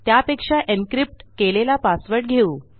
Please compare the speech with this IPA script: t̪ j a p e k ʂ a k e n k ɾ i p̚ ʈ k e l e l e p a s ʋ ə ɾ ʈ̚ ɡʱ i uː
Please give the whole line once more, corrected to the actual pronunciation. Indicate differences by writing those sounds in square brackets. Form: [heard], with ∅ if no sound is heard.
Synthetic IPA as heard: t̪ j a p e k ʂ a [ʔ] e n k ɾ i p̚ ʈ k e l e l [a] p a s ʋ ə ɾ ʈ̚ ɡʱ [e] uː